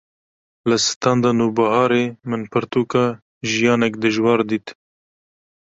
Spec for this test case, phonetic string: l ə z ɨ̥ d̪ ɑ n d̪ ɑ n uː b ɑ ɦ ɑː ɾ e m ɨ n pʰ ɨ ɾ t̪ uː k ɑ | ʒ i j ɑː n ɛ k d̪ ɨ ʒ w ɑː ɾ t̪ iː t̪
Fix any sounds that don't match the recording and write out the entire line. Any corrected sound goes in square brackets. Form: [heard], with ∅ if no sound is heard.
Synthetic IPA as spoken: l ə [s] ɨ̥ [t̪] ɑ n d̪ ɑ n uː b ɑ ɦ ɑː ɾ e m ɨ n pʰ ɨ ɾ t̪ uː k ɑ | ʒ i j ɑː n ɛ k d̪ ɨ ʒ w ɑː ɾ [d̪] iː t̪